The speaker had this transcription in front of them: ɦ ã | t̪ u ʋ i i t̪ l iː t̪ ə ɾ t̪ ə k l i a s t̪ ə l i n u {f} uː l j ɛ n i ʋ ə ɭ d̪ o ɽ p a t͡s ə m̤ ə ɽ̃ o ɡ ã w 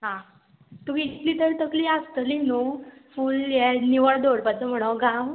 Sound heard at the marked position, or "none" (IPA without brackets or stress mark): f